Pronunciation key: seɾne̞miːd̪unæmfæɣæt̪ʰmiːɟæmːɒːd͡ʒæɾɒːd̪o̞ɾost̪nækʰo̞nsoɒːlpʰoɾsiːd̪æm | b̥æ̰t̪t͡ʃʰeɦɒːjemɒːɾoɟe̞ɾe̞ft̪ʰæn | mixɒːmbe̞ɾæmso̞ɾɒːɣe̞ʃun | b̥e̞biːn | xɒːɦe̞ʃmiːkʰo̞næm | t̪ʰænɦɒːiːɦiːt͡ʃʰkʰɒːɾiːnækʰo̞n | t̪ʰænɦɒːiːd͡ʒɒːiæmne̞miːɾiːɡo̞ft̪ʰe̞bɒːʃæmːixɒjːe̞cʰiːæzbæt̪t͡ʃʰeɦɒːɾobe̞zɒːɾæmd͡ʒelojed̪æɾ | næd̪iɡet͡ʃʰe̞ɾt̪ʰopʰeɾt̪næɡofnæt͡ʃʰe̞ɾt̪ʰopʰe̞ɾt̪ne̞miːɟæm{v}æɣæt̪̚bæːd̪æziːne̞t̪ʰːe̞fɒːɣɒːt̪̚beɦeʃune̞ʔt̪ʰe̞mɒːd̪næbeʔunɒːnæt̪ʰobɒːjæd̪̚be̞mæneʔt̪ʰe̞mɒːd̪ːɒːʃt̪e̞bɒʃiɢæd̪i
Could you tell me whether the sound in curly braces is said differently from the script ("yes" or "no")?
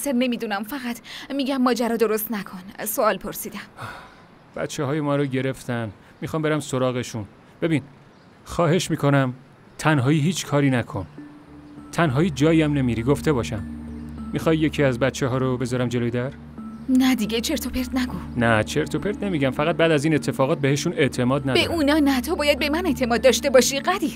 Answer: yes